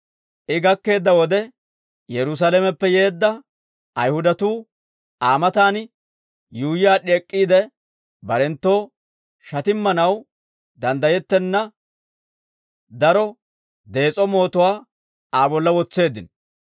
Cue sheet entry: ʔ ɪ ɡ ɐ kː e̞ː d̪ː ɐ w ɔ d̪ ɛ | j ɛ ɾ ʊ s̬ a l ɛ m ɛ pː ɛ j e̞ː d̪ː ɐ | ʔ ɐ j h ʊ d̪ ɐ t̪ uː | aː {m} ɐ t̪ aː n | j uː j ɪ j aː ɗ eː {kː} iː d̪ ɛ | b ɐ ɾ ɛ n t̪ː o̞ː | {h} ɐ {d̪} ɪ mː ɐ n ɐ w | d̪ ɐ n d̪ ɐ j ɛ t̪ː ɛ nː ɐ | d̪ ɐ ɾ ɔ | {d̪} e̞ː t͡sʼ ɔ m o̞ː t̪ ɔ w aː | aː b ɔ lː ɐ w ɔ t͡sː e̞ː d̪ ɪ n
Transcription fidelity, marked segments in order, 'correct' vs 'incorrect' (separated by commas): correct, incorrect, incorrect, incorrect, correct